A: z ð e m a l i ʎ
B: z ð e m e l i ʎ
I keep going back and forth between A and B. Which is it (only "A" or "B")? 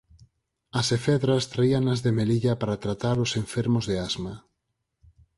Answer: B